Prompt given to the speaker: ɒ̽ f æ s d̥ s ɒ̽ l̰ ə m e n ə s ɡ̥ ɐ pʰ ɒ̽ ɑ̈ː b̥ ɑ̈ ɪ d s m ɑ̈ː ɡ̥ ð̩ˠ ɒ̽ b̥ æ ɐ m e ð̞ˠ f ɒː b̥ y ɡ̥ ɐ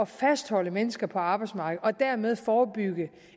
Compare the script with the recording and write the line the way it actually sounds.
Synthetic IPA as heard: ɒ̽ f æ s d̥ h ɒ̽ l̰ ə m e n ə s ɡ̥ ɐ pʰ ɒ̽ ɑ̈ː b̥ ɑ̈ ɪ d s m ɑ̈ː ɡ̥ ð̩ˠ ɒ̽ d̥ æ ɐ m e ð̞ˠ f ɒː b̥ y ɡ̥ ə